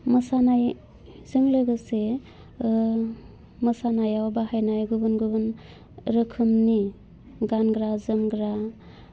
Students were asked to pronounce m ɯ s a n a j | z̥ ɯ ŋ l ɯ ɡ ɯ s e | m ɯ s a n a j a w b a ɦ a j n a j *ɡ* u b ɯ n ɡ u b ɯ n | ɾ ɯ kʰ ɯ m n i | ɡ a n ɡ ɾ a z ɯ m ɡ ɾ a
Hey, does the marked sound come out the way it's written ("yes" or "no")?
yes